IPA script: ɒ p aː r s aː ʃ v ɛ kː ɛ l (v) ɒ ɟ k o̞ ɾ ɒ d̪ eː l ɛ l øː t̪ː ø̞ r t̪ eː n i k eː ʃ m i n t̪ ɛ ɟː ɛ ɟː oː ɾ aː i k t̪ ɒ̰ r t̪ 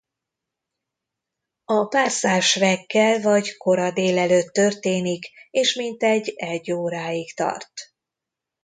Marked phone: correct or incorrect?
correct